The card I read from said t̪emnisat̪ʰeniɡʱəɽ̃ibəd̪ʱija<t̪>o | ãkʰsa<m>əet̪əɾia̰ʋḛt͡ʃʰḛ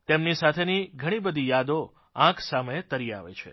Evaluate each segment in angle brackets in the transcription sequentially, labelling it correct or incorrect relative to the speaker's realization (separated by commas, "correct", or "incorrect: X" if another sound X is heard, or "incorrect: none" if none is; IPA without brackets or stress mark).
incorrect: d̪, correct